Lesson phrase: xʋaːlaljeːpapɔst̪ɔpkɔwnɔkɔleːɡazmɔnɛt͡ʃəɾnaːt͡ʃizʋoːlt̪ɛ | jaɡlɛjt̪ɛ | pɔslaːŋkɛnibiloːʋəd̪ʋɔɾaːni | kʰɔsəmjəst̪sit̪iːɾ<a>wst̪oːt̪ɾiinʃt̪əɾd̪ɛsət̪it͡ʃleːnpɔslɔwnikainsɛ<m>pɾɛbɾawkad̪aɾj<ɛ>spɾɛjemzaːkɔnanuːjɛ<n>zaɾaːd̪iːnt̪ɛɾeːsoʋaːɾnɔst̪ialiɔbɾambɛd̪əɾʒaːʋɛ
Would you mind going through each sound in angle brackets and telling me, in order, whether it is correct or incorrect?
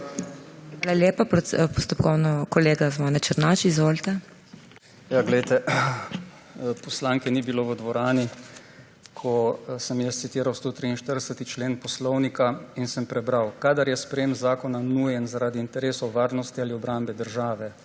correct, correct, correct, correct

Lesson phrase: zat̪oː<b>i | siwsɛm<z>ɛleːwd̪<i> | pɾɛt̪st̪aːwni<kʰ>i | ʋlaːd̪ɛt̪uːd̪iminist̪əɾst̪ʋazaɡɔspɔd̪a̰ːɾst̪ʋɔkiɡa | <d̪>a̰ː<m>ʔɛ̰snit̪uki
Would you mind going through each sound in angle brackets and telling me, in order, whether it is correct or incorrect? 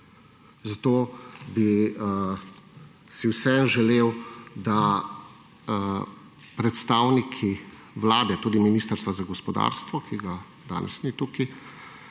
correct, incorrect: ʒ, incorrect: a, correct, correct, incorrect: n

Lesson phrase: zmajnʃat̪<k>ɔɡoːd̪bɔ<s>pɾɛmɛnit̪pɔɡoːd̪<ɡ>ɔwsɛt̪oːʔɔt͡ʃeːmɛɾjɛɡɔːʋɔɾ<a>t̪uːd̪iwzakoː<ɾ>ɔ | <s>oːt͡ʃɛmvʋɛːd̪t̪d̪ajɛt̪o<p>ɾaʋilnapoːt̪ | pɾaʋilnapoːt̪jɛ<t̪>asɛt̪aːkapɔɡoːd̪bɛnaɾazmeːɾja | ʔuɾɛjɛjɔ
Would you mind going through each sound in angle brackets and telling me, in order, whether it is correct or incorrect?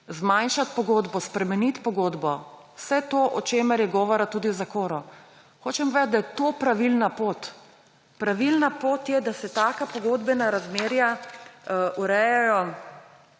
incorrect: p, correct, incorrect: b, correct, correct, incorrect: x, correct, incorrect: d̪

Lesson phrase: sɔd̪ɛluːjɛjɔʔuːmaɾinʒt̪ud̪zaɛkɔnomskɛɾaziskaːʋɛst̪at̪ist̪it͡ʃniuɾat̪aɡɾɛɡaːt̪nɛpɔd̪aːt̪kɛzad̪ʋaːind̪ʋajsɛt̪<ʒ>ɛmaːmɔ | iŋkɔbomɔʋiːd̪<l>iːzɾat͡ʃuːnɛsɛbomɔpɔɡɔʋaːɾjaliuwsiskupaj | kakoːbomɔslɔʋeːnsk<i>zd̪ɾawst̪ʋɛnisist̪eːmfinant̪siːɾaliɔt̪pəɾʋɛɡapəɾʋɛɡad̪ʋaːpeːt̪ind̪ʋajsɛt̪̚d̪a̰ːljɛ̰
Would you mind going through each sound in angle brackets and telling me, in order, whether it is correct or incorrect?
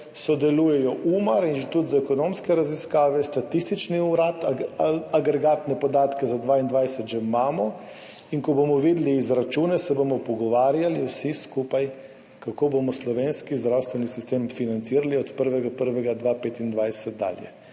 correct, correct, correct

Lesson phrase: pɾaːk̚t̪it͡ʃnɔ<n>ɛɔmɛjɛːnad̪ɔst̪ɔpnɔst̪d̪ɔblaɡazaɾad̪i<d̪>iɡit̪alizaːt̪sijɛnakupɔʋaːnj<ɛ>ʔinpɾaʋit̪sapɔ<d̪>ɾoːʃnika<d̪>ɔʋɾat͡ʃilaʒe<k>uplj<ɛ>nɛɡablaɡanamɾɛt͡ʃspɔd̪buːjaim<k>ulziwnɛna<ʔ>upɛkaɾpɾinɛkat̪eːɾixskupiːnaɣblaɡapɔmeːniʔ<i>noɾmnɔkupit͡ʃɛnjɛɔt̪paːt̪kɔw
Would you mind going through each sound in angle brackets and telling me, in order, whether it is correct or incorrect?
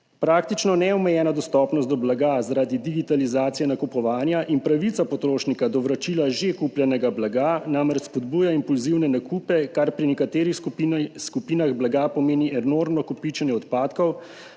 correct, correct, incorrect: a, incorrect: t̪, correct, correct, correct, incorrect: p, incorrect: k, incorrect: ɛ

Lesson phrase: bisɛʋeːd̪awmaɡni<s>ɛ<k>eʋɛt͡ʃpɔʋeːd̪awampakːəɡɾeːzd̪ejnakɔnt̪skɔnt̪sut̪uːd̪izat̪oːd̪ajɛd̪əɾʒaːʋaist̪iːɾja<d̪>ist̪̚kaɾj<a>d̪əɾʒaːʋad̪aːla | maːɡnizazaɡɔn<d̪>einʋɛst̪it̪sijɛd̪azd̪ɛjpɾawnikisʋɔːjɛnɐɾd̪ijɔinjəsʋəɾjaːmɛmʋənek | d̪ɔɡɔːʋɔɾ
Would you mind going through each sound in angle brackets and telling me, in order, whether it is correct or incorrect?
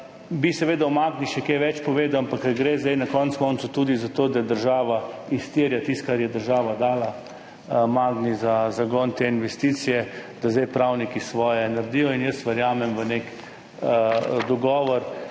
incorrect: ʃ, correct, incorrect: t̪, incorrect: ɛ, incorrect: t̪

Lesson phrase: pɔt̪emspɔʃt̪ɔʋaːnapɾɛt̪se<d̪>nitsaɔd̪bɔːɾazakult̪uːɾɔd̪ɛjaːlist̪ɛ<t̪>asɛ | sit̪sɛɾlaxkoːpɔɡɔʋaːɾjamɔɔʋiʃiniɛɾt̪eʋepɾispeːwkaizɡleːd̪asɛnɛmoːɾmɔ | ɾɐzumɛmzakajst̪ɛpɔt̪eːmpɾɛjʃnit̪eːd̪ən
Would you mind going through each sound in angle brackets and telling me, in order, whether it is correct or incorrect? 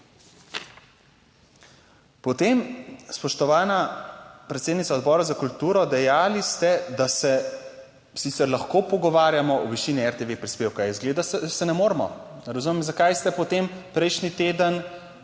correct, incorrect: d̪

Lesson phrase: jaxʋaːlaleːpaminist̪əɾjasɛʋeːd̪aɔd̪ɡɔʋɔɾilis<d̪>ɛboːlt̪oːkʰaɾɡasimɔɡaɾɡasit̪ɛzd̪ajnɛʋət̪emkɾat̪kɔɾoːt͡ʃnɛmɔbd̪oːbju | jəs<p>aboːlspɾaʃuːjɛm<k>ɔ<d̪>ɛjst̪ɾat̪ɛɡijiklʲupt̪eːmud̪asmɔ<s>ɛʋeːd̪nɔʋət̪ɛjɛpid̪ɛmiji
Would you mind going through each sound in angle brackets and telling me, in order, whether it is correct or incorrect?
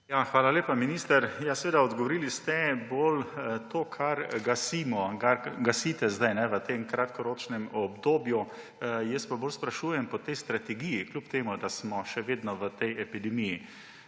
incorrect: t̪, correct, incorrect: p, incorrect: t̪, incorrect: ʃ

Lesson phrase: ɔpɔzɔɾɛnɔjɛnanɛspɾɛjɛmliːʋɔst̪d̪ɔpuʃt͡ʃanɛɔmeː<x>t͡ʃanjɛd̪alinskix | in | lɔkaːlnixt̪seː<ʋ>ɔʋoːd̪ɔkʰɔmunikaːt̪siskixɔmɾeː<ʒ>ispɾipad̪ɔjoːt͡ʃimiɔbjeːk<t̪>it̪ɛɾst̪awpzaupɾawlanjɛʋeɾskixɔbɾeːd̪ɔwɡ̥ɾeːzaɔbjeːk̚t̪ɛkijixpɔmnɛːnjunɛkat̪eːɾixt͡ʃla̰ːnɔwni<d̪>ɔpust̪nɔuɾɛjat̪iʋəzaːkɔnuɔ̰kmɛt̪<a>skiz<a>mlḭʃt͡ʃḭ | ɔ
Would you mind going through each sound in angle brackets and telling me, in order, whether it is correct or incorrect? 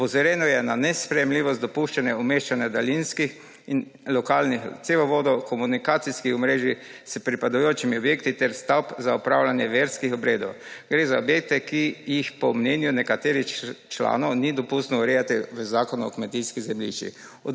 incorrect: ʃ, correct, correct, correct, correct, incorrect: i, incorrect: ɛ

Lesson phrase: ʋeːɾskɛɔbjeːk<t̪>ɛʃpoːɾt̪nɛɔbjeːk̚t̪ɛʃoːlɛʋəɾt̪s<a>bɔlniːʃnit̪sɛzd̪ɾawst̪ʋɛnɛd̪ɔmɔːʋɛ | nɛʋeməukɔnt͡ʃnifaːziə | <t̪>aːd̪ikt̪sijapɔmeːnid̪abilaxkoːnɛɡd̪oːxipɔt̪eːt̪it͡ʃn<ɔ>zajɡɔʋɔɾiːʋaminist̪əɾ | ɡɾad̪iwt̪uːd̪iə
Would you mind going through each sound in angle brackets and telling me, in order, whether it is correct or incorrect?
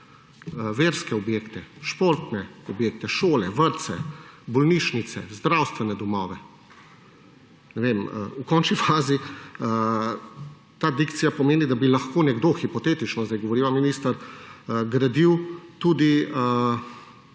correct, incorrect: ɛ, correct, correct

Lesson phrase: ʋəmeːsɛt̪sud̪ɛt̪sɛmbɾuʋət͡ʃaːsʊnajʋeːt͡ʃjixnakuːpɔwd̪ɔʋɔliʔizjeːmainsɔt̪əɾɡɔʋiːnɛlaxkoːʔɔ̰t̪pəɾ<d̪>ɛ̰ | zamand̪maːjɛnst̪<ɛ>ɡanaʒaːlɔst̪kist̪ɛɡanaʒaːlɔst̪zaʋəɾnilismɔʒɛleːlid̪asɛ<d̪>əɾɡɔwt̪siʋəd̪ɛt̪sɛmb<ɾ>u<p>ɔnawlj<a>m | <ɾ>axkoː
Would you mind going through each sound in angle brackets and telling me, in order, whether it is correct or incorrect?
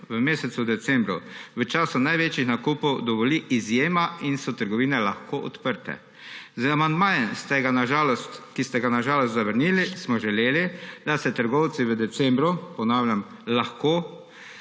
incorrect: t̪, correct, incorrect: t̪, correct, correct, correct, incorrect: l

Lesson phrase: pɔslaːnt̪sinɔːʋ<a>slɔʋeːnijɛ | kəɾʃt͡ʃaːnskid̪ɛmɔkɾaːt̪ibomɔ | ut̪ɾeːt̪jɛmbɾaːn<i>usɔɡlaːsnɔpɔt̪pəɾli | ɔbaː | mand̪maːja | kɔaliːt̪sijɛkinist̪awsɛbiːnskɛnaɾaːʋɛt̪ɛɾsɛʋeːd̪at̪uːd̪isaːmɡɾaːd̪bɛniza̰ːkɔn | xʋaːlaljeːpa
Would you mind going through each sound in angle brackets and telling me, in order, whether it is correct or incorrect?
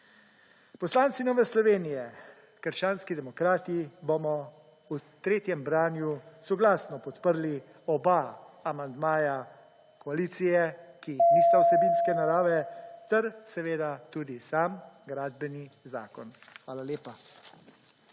incorrect: ɛ, incorrect: j

